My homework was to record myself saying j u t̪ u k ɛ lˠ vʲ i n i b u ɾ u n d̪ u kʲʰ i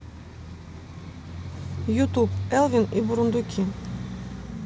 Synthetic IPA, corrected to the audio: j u t̪ u p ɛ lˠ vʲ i n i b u ɾ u n d̪ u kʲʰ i

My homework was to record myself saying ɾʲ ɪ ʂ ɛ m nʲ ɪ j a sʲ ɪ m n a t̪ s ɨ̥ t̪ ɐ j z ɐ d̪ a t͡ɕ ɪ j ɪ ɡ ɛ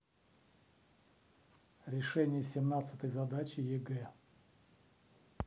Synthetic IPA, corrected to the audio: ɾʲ ɪ ʂ ɛ nʲ ɪ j ə sʲ ɪ m n a t̪ s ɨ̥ t̪ ə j z ɐ d̪ a t͡ɕ ɪ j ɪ ɡ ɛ

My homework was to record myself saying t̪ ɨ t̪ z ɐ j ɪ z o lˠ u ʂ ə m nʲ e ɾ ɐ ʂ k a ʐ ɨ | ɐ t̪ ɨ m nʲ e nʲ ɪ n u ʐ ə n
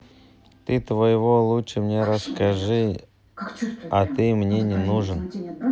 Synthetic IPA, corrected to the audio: t̪ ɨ t̪ v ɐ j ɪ v o lˠ u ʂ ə m nʲ e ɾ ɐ s k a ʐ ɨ | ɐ t̪ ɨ m nʲ e nʲ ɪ n u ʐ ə n

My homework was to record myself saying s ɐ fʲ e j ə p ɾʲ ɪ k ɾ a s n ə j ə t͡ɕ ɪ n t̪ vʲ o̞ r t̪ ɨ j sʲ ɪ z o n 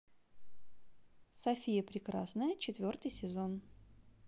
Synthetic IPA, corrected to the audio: s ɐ fʲ i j ə p ɾʲ ɪ k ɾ a s n ə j ə t͡ɕ ɪ t̪ vʲ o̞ r t̪ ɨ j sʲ ɪ z o n

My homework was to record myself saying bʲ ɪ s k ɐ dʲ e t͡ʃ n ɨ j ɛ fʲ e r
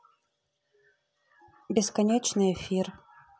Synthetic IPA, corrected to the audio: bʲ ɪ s k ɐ nʲ e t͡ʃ n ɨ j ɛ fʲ i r

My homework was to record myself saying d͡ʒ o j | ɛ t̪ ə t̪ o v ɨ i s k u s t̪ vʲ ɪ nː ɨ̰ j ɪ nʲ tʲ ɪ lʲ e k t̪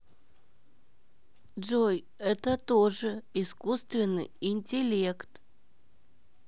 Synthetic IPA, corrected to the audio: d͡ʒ o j | ɛ t̪ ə t̪ o ʐ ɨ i s k u s t̪ vʲ ɪ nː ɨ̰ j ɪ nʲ tʲ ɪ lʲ e k t̪

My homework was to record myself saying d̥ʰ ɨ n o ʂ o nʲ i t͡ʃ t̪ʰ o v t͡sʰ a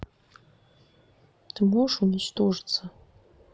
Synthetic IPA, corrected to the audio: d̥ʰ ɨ m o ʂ u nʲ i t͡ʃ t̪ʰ o ʐ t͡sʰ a

